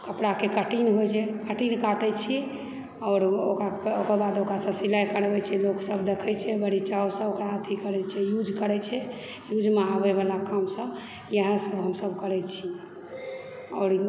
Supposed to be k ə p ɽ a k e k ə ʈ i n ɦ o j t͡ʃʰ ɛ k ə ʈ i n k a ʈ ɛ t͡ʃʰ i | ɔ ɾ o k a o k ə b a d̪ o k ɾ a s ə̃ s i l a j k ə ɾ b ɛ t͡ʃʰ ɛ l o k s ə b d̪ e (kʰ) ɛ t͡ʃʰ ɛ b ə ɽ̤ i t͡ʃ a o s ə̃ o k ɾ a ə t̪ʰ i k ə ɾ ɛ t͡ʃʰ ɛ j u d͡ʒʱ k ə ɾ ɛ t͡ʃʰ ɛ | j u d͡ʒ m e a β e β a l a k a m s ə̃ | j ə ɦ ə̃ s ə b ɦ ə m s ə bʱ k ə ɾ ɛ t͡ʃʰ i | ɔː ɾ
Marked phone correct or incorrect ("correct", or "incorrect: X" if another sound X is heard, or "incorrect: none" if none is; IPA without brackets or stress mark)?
correct